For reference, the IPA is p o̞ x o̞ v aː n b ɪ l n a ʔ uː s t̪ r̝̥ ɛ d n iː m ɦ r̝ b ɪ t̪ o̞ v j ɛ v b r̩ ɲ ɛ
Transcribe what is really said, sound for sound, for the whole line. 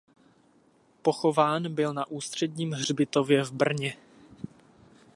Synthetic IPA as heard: p o̞ x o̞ v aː n b ɪ l n a ʔ uː s t̪ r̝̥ ɛ d ɲ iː m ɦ r̝ b ɪ t̪ o̞ v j ɛ v b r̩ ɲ ɛ